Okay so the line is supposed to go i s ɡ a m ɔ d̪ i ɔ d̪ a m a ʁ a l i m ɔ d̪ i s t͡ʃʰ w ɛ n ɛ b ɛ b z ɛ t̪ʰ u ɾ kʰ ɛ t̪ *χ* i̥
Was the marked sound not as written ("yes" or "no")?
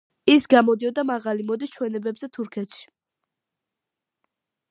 yes